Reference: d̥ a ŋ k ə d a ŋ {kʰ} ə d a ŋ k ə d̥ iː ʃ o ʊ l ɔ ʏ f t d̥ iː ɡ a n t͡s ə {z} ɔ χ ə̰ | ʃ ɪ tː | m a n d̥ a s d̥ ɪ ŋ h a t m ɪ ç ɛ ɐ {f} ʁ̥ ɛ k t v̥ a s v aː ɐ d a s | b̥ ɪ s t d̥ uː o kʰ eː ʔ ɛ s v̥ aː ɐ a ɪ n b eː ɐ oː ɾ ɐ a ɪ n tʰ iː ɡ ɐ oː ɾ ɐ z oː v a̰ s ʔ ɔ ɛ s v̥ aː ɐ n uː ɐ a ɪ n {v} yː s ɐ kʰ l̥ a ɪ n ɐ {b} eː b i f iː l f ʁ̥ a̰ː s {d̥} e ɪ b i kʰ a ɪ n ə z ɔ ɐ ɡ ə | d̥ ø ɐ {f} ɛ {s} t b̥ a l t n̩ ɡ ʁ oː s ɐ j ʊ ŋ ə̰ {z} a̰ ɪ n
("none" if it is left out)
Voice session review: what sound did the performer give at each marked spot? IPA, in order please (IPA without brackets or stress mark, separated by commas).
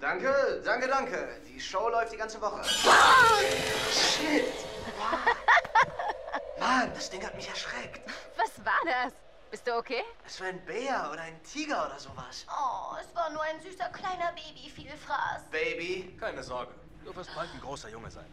k, v, ʃ, z, b, b̥, f, s, z